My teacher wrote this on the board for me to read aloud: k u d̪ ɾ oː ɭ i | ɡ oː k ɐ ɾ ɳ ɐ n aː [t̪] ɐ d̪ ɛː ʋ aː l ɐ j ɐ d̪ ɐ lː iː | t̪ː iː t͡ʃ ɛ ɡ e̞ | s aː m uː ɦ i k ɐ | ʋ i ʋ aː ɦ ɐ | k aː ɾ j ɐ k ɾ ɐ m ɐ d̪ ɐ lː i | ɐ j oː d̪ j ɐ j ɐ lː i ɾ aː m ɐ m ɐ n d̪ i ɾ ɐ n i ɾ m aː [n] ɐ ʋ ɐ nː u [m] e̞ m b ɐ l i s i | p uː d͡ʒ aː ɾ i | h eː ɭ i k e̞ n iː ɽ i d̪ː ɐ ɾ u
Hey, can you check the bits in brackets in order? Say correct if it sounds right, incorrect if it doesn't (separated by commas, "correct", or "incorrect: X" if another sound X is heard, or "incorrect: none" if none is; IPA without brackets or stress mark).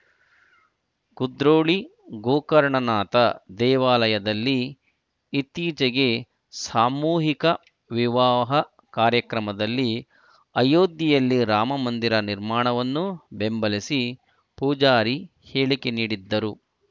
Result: correct, incorrect: ɳ, incorrect: b